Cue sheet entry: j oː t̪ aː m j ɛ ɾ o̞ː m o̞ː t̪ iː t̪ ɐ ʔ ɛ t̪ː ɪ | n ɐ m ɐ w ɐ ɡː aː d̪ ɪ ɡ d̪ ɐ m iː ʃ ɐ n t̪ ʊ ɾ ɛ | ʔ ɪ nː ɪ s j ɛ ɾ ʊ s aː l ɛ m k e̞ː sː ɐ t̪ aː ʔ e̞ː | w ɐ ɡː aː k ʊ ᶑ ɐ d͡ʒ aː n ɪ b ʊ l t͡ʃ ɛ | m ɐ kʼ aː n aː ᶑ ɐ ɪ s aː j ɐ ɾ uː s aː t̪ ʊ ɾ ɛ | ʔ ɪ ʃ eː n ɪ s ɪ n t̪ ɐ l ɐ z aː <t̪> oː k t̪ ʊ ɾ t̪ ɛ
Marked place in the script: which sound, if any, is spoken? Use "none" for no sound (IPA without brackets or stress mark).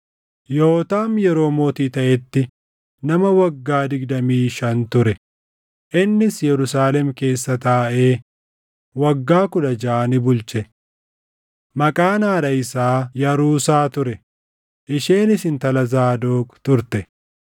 d̪